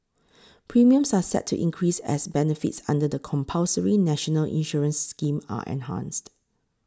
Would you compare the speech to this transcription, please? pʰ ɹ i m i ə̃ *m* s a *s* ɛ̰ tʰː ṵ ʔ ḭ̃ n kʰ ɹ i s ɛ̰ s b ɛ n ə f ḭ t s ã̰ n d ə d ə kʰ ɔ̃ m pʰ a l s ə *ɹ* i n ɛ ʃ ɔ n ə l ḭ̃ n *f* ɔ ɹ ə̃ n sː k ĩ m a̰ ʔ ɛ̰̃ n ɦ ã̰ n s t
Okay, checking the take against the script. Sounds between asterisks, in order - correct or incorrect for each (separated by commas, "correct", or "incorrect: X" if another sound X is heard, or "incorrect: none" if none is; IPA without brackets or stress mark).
correct, correct, correct, incorrect: ʃ